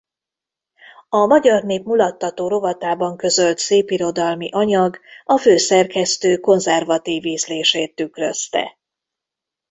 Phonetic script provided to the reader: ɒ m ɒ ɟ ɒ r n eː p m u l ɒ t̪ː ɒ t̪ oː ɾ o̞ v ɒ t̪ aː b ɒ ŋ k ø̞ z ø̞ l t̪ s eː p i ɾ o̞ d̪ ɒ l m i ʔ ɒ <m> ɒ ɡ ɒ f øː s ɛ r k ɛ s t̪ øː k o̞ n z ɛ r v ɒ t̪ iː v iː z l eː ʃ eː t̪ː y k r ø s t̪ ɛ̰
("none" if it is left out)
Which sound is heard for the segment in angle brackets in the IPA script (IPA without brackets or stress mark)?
ɲ